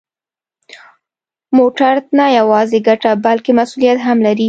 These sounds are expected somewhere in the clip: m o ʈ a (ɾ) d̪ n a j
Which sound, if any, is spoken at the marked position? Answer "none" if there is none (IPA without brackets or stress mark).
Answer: ɾ